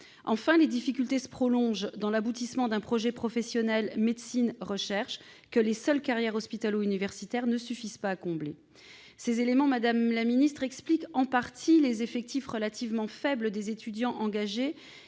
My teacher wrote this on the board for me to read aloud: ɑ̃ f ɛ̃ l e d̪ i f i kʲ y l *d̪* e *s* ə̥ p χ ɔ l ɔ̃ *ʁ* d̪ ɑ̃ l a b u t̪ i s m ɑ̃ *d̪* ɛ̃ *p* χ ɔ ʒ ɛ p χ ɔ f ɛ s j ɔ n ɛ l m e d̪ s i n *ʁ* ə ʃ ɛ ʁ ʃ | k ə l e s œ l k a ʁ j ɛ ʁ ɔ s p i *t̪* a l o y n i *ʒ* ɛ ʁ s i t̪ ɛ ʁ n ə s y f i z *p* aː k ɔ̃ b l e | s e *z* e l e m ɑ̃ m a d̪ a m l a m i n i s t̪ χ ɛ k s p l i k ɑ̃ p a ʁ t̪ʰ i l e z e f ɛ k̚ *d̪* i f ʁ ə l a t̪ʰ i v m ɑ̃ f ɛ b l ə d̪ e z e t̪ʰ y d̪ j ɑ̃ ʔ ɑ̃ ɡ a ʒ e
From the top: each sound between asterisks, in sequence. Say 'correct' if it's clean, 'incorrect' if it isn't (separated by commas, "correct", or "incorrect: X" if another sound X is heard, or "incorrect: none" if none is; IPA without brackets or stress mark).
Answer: incorrect: t̪, correct, incorrect: ʒ, correct, correct, correct, correct, incorrect: v, correct, correct, incorrect: t̪